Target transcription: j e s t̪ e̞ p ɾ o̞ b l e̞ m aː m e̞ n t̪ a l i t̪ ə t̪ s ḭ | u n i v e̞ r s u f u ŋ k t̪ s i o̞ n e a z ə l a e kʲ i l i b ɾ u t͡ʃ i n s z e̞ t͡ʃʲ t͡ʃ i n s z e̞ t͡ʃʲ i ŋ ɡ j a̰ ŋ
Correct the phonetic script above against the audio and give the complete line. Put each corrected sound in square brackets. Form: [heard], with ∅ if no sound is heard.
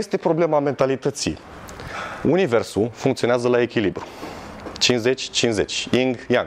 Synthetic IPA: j e s t̪ e̞ p ɾ o̞ b l e̞ m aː m e̞ n t̪ a l i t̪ ə t̪ s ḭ | u n i v e̞ r s u f u ŋ k t̪ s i o̞ n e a z ə l a e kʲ i l i b ɾ u t͡ʃ i n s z e̞ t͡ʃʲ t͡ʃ i n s z e̞ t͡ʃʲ i ŋ ɡ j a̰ ŋ